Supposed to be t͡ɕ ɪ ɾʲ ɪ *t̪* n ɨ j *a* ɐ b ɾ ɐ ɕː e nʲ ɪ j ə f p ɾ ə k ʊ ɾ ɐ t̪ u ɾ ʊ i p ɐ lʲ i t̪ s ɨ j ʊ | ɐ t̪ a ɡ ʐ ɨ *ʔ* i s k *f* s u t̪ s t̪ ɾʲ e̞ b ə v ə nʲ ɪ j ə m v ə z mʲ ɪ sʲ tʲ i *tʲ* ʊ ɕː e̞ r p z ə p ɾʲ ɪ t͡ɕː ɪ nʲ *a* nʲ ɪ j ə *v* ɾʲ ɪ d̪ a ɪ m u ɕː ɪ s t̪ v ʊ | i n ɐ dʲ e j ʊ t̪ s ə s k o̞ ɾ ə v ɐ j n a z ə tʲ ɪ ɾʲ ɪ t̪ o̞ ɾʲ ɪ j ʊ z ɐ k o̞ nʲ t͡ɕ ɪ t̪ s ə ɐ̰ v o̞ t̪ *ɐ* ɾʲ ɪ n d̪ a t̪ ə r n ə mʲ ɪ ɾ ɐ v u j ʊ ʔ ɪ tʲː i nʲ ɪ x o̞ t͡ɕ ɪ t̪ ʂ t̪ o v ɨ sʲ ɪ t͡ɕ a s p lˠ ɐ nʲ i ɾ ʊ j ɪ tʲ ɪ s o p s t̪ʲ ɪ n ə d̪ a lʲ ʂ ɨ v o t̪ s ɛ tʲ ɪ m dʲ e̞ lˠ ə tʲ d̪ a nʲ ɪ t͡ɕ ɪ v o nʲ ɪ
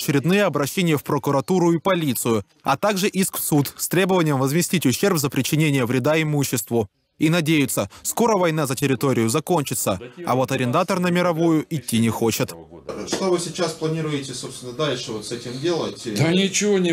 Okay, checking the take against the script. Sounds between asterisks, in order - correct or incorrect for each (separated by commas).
incorrect, incorrect, correct, correct, correct, incorrect, correct, correct